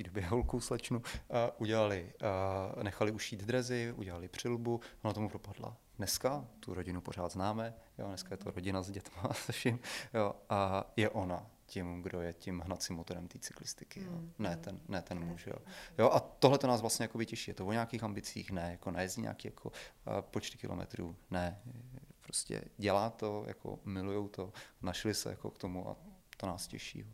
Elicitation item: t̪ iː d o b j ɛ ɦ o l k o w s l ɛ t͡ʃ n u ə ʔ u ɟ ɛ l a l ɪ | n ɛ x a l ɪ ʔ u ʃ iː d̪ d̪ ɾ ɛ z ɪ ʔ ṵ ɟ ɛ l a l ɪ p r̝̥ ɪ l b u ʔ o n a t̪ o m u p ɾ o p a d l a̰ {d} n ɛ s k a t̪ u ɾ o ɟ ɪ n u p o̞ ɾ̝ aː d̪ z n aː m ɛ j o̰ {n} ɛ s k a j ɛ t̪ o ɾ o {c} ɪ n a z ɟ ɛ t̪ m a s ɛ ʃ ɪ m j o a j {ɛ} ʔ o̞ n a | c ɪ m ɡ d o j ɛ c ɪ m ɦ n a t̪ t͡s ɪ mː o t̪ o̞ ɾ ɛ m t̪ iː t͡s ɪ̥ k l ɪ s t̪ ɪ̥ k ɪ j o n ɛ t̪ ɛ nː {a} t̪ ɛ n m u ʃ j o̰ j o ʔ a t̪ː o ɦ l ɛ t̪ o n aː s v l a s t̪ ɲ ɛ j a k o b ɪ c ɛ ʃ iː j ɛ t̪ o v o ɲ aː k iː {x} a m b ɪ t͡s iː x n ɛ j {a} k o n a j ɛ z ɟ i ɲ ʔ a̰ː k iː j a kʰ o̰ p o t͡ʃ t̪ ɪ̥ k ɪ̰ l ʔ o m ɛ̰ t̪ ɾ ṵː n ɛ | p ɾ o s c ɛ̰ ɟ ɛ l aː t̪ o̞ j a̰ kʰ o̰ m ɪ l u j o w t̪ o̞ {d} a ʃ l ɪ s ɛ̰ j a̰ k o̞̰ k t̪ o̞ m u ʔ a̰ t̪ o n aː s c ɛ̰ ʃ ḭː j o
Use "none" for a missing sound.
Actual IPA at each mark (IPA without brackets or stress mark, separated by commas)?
d, n, ɟ, ɛ, ɛ, x, a, n